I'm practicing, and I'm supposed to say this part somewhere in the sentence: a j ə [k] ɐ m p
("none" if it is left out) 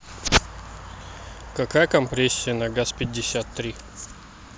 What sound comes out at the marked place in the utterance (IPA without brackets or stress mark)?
k